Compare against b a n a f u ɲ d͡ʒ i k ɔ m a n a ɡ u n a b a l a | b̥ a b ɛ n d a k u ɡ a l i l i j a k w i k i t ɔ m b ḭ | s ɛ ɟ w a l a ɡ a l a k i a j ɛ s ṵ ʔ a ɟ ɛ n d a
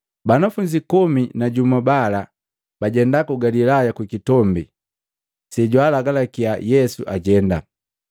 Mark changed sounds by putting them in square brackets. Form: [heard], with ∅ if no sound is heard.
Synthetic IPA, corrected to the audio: b a n a f u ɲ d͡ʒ i k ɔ m [i] n a [ɟ] u [m] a b a l a | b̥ a [ɟ] ɛ n d a k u ɡ a l i l [a] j a k w i k i t ɔ m b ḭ | s ɛ ɟ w a l a ɡ a l a k i a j ɛ s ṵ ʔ a ɟ ɛ n d a